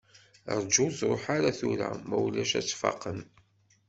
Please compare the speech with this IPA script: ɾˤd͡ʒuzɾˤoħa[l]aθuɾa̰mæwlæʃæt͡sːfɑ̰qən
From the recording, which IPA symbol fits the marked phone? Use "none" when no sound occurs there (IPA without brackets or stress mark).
ɾ